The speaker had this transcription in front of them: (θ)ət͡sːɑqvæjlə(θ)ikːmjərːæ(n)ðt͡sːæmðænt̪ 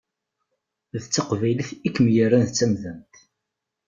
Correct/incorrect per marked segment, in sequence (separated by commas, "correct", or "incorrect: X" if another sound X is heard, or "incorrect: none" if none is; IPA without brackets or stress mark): incorrect: ð, correct, correct